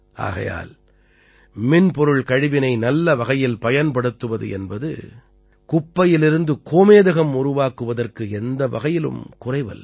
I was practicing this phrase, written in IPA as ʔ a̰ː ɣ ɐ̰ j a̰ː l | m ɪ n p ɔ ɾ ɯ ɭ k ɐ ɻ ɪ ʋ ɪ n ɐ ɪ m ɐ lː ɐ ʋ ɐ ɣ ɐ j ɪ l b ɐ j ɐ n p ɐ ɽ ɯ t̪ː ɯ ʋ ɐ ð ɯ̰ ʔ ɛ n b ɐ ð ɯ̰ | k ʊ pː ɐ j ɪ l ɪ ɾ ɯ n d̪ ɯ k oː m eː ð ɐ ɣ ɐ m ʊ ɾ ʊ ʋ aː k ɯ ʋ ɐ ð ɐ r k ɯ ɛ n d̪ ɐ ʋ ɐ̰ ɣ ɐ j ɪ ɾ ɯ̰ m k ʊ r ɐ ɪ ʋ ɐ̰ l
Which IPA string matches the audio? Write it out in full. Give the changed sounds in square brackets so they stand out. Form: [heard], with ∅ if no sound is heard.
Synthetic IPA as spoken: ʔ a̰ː ɣ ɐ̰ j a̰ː l | m ɪ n p ɔ ɾ ɯ ɭ k ɐ ɻ ɪ ʋ ɪ n ɐ ɪ [n] ɐ lː ɐ ʋ ɐ ɣ ɐ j ɪ l [p] ɐ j ɐ n p ɐ ɽ ɯ t̪ː ɯ ʋ ɐ ð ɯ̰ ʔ ɛ n b ɐ ð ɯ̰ | k ʊ pː ɐ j ɪ l ɪ ɾ ɯ n d̪ ɯ k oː m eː ð ɐ ɣ ɐ m ʊ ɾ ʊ ʋ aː k ɯ ʋ ɐ ð ɐ r k ɯ ɛ n d̪ ɐ ʋ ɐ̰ ɣ ɐ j ɪ [l] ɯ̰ m k ʊ r ɐ ɪ ʋ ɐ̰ l

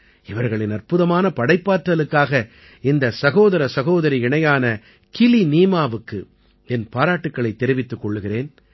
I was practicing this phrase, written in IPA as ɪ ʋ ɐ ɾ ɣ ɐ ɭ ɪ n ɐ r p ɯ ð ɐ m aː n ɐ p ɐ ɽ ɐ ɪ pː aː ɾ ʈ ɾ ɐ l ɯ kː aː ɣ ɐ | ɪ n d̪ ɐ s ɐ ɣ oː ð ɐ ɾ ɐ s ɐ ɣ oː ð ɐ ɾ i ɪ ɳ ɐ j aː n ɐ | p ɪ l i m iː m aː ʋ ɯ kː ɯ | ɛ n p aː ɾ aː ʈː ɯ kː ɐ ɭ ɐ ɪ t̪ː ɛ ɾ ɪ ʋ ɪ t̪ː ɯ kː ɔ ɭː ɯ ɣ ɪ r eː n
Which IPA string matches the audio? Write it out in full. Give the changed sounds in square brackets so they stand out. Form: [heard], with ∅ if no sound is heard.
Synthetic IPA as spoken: ɪ ʋ ɐ ɾ ɣ ɐ ɭ ɪ n ɐ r p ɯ ð ɐ m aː n ɐ p ɐ ɽ ɐ ɪ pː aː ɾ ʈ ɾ ɐ l ɯ kː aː ɣ ɐ | ɪ n d̪ ɐ s ɐ ɣ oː ð ɐ ɾ ɐ s ɐ ɣ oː ð ɐ ɾ i ɪ ɳ ɐ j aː n ɐ | [k] ɪ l i [n] iː m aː ʋ ɯ kː ɯ | ɛ n p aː ɾ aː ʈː ɯ kː ɐ ɭ ɐ ɪ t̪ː ɛ ɾ ɪ ʋ ɪ t̪ː ɯ kː ɔ ɭː ɯ ɣ ɪ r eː n

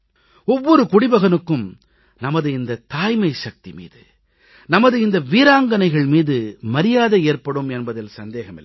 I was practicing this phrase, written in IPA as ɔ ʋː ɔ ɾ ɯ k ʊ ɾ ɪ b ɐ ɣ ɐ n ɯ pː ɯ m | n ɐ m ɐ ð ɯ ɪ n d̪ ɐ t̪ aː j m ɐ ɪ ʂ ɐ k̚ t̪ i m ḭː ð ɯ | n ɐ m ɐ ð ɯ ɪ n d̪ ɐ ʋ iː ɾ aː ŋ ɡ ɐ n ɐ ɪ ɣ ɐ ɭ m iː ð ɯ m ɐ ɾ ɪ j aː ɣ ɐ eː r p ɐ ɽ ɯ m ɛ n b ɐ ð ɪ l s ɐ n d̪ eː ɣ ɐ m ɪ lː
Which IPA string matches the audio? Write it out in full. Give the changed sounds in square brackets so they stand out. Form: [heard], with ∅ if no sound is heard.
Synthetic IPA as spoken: ɔ ʋː ɔ ɾ ɯ k ʊ [ɽ] ɪ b ɐ ɣ ɐ n ɯ [kː] ɯ m | n ɐ m ɐ ð ɯ ɪ n d̪ ɐ t̪ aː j m ɐ ɪ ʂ ɐ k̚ t̪ i m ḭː ð ɯ | n ɐ m ɐ ð ɯ ɪ n d̪ ɐ ʋ iː ɾ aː ŋ ɡ ɐ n ɐ ɪ ɣ ɐ ɭ m iː ð ɯ m ɐ ɾ ɪ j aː [ð] ɐ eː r p ɐ ɽ ɯ m ɛ n b ɐ ð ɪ l s ɐ n d̪ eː ɣ ɐ m ɪ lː

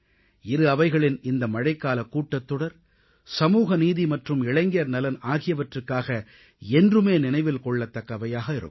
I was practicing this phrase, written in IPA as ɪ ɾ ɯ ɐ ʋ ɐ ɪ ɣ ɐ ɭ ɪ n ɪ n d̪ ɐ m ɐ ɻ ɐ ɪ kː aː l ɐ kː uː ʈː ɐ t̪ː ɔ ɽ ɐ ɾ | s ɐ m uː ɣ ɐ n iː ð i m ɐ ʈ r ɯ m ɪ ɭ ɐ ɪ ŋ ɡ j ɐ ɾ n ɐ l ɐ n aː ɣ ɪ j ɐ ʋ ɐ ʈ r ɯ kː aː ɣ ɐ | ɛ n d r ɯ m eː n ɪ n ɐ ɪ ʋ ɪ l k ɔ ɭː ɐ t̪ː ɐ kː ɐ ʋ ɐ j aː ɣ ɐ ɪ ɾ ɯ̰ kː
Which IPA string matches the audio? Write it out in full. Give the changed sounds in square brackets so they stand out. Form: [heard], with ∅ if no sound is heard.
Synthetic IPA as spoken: ɪ ɾ ɯ ɐ ʋ ɐ ɪ ɣ ɐ ɭ ɪ n ɪ n d̪ ɐ m ɐ ɻ ɐ ɪ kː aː l ɐ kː uː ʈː ɐ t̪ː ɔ ɽ ɐ ɾ | s ɐ m uː ɣ ɐ n iː ð i m ɐ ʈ r ɯ m ɪ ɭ ɐ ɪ ŋ ɡ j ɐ ɾ n ɐ l ɐ n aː ɣ ɪ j ɐ ʋ ɐ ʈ r ɯ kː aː ɣ ɐ | ɛ n d r ɯ m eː n ɪ n ɐ ɪ ʋ ɪ l k ɔ ɭː ɐ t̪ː ɐ kː ɐ ʋ ɐ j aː ɣ ɐ ɪ ɾ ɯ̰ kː

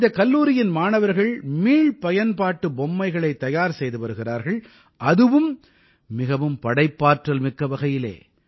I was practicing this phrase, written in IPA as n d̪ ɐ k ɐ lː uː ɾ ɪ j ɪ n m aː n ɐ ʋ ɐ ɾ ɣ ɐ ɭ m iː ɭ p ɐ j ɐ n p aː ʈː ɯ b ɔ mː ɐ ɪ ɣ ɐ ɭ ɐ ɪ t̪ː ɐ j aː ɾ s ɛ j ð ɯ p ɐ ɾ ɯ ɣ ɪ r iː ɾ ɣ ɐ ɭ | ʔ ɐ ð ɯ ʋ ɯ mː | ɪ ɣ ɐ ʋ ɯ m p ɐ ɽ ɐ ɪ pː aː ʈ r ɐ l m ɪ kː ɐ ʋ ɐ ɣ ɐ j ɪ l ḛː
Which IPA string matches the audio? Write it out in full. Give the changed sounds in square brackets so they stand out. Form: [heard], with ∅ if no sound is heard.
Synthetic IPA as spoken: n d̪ ɐ k ɐ lː uː ɾ ɪ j ɪ n m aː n ɐ ʋ ɐ ɾ ɣ ɐ ɭ m iː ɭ p ɐ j ɐ n p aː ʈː ɯ b ɔ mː ɐ ɪ ɣ ɐ ɭ ɐ ɪ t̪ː ɐ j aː ɾ s ɛ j ð ɯ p ɐ ɾ ɯ ɣ ɪ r [aː] ɾ ɣ ɐ ɭ | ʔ ɐ ð ɯ ʋ ɯ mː | ɪ ɣ ɐ ʋ ɯ m p ɐ ɽ ɐ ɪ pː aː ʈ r ɐ l m ɪ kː ɐ ʋ ɐ ɣ ɐ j ɪ l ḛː

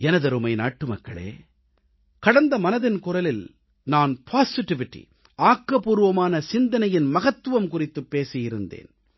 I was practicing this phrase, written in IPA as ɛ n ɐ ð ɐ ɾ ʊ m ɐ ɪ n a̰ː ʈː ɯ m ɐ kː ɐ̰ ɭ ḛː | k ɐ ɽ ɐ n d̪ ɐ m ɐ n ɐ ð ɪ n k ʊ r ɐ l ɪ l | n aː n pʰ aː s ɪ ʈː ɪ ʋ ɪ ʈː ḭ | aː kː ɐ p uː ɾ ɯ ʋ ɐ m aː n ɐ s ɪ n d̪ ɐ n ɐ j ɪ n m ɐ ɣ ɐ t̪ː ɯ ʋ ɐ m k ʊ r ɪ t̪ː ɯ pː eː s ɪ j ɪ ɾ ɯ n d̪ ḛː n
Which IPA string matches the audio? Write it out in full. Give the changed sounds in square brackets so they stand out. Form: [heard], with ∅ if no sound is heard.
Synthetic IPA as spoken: ɛ n ɐ ð ɐ ɾ [ɯ] m ɐ ɪ n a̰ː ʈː ɯ m ɐ kː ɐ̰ ɭ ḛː | k ɐ ɽ ɐ n d̪ ɐ m ɐ n ɐ ð ɪ n k ʊ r ɐ l ɪ l | n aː n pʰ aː s ɪ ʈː ɪ ʋ ɪ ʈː ḭ | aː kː ɐ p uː ɾ ɯ ʋ ɐ m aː n ɐ s ɪ n d̪ ɐ n ɐ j ɪ n m ɐ ɣ ɐ t̪ː ɯ ʋ ɐ m k ʊ r ɪ t̪ː ɯ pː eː s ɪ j ɪ ɾ ɯ n d̪ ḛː n

